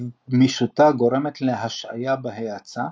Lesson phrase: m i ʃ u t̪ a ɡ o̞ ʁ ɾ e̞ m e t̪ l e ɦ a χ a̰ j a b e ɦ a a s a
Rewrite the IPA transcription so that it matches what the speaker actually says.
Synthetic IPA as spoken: m i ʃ u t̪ a ɡ o̞ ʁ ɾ e̞ m e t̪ l e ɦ a ʃ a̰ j a b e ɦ e a t͡s a